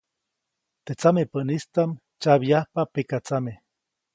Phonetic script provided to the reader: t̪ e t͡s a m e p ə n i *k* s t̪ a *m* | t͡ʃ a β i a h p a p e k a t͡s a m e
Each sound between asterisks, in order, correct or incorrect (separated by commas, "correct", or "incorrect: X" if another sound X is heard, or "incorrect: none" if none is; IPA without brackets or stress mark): incorrect: none, correct